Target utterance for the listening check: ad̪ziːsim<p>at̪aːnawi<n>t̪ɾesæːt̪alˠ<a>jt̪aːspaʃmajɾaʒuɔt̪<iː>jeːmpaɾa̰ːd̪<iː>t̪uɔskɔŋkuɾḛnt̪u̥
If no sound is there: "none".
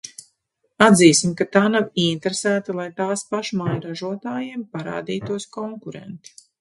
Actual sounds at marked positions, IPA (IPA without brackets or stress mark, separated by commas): k, n, a, aː, iː